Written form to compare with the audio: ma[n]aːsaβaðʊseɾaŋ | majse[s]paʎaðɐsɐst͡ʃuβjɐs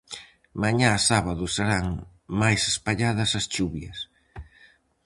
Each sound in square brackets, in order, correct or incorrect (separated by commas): incorrect, correct